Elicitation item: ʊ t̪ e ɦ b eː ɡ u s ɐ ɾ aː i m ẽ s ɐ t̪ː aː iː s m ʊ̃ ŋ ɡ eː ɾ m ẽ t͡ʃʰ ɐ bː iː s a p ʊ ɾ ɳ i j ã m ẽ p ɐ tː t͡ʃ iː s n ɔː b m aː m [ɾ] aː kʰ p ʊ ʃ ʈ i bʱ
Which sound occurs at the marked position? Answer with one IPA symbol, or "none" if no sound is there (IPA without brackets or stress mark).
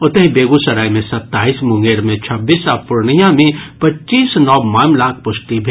l